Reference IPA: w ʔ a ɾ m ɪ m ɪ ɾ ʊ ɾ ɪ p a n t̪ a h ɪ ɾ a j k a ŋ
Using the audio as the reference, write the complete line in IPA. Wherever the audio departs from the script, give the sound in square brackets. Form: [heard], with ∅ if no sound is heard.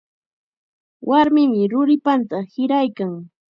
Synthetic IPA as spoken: w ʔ a ɾ m ɪ m ɪ ɾ ʊ ɾ ɪ p a n t̪ a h ɪ ɾ a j k a ŋ